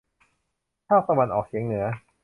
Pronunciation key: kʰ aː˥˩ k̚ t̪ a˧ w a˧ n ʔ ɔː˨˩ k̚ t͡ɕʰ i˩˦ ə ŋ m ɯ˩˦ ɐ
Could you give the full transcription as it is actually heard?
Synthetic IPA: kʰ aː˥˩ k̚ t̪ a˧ w a˧ n ʔ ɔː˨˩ k̚ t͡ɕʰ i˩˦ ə ŋ n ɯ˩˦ ɐ

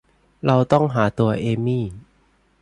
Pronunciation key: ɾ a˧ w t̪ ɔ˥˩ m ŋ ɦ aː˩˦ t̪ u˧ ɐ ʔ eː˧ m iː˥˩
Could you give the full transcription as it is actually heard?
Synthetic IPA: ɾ a˧ w t̪ ɔ˥˩ ŋ ɦ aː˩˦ t̪ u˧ ɐ ʔ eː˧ m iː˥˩

